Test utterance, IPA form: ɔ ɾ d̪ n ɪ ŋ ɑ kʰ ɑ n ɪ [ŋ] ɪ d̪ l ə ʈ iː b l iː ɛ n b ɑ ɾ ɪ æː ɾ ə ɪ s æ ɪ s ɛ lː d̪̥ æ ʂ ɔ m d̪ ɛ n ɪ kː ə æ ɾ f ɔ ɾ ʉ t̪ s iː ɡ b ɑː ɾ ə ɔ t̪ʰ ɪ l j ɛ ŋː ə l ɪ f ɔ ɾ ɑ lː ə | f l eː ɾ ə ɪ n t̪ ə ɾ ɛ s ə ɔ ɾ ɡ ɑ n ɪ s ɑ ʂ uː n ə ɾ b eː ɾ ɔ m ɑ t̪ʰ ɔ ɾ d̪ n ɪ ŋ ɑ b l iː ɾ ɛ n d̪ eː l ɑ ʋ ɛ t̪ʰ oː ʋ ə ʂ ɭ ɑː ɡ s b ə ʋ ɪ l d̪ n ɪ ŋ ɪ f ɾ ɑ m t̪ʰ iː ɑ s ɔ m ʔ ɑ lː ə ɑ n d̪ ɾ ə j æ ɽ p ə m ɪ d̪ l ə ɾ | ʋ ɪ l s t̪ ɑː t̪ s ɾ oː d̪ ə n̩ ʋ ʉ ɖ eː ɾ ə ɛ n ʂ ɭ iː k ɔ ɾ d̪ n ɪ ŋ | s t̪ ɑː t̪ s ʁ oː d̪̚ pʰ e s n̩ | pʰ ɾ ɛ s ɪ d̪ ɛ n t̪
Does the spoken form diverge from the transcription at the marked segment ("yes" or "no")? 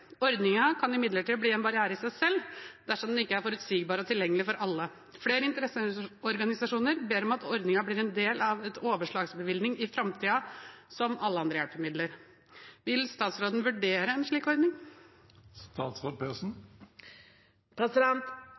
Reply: yes